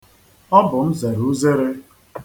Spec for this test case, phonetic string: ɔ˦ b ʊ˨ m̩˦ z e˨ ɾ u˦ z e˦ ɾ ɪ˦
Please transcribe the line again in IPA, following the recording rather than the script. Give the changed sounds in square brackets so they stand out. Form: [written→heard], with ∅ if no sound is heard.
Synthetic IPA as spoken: ɔ˦ b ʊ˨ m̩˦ z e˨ ɾ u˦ z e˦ ɾ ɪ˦